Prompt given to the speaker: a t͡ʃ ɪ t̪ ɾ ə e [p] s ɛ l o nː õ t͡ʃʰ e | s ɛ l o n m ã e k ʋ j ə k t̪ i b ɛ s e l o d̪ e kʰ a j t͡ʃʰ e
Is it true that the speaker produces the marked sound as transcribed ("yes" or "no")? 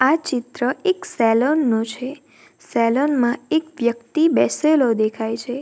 no